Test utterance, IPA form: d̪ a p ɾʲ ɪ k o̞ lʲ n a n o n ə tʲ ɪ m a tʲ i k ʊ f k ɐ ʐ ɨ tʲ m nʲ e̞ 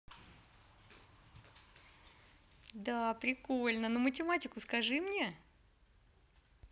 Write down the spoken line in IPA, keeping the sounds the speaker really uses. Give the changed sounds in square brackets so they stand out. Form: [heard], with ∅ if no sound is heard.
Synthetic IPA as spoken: d̪ a p ɾʲ ɪ k o̞ lʲ n [ə] n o [m] ə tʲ ɪ m a tʲ [ɪ] k ʊ [s] k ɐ ʐ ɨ [∅] m nʲ e̞